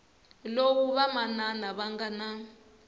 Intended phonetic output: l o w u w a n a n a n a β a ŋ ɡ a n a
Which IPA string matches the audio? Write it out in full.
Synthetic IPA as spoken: l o w u β a m a n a n a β a ŋ ɡ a n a

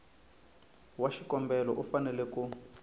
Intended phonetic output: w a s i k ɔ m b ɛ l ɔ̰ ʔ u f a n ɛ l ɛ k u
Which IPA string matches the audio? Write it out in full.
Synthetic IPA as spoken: w a ʃ i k ɔ m b ɛ l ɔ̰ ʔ u f a n ɛ l ɛ k u

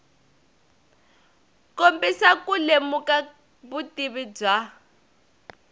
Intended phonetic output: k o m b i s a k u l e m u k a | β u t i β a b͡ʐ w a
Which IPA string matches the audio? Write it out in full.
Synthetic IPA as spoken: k o m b i s a k u l e m u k a | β u t i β i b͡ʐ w a

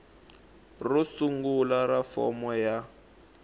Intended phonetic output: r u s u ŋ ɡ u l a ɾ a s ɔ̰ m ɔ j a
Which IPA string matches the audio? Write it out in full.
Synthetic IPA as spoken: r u s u ŋ ɡ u l a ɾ a f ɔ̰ m ɔ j a

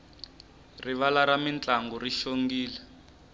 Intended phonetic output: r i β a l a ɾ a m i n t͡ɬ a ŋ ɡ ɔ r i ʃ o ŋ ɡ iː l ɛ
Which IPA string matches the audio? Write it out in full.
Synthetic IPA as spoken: r i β a l a ɾ a m i n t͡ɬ a ŋ ɡ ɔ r i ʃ o ŋ ɡ iː l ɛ

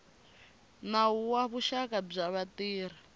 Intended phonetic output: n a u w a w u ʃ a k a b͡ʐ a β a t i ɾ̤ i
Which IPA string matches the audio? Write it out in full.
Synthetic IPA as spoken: n a u w a β u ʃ a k a b͡ʐ a β a t iː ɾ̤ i

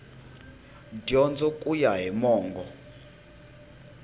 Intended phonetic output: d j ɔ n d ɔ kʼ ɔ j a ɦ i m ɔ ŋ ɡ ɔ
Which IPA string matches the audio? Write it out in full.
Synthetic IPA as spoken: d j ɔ n d͡z ɔ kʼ u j a ɦ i m ɔː ŋ ɡ ɔ

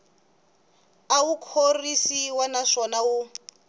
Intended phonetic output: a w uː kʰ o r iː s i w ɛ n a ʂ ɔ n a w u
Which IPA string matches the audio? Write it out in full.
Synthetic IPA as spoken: a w u kʰ o r i s i w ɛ n a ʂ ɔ n a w u

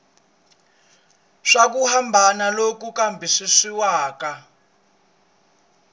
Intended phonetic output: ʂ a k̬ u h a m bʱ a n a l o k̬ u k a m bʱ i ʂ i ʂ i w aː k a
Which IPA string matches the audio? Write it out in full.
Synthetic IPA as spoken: ʂ a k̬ u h a m bʱ a n a l o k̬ u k a m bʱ i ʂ i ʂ i w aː k a

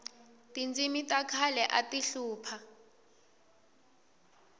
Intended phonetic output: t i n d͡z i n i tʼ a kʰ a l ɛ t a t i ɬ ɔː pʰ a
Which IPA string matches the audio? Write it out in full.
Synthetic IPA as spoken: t i n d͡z i m i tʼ a kʰ a l ɛ ʔ a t i ɬ uː pʰ a

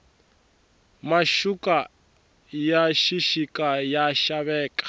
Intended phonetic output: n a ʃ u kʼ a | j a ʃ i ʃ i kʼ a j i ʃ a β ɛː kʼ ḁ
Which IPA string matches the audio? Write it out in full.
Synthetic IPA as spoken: m a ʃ u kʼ a | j a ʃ i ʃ i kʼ a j a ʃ a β ɛː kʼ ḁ

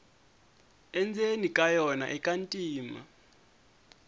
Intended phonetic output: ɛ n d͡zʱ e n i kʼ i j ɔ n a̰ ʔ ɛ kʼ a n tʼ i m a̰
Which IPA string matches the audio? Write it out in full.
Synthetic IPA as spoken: ɛ n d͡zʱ e n i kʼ a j ɔ n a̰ ʔ ɛ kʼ a n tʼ iː m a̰

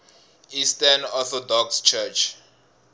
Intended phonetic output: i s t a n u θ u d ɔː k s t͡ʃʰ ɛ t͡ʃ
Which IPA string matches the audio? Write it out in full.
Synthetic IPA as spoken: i s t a n ɔ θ ɔ d ɔ k s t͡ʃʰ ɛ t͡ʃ

